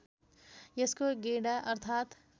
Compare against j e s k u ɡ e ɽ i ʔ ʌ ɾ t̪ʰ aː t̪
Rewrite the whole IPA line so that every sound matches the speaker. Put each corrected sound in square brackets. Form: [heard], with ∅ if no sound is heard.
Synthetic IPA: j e s k [o] ɡ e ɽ [a] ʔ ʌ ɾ t̪ʰ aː t̪